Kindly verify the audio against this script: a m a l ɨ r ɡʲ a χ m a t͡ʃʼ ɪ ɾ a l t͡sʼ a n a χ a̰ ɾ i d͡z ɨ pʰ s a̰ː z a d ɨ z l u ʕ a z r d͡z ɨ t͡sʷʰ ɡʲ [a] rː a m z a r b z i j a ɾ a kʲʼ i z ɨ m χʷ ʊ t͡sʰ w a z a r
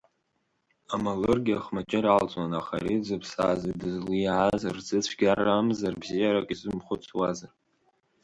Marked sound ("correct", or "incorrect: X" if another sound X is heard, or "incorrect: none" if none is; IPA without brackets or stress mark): correct